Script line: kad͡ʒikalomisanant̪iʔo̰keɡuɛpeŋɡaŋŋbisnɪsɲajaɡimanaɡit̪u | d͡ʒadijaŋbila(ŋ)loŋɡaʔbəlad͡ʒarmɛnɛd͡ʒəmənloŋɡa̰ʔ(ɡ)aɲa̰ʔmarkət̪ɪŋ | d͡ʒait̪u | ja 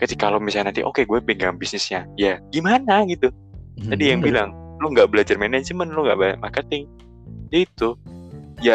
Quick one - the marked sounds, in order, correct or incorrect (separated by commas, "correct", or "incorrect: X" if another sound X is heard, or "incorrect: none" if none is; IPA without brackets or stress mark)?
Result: correct, incorrect: b